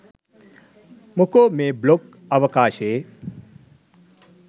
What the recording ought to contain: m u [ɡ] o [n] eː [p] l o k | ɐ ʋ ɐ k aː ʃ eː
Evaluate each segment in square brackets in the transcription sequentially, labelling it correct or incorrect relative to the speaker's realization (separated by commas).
incorrect, incorrect, incorrect